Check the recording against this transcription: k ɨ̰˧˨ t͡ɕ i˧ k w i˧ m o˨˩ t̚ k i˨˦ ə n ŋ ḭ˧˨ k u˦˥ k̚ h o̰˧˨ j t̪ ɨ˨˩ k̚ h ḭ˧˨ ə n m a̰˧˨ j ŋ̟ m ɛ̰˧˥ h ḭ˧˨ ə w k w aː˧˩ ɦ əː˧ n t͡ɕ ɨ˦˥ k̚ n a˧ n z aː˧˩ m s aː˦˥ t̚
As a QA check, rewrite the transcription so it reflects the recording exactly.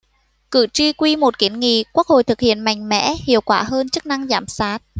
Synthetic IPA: k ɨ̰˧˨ t͡ɕ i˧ k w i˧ m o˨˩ t̚ k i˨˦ ə n ŋ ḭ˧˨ k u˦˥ k̚ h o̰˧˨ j t̪ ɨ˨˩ k̚ h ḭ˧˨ ə n m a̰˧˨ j ŋ̟ m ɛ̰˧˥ h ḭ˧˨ ə w k w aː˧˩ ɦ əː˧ n t͡ɕ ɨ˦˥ k̚ n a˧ ŋ z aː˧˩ m s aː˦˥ t̚